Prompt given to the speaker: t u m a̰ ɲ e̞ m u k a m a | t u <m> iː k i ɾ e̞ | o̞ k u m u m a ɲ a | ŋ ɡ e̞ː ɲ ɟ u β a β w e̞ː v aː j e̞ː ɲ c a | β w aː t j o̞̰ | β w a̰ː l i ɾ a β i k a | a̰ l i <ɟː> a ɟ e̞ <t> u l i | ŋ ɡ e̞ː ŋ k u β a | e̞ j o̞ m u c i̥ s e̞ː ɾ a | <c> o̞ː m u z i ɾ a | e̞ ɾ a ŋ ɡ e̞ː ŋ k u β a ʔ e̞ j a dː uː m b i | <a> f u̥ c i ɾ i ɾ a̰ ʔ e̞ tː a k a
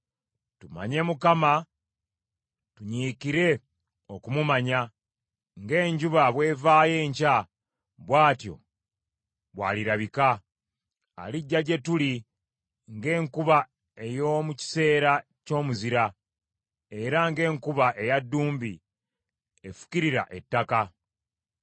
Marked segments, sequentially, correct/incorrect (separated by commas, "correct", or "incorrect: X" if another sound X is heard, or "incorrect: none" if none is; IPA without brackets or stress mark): incorrect: ɲ, correct, correct, correct, incorrect: e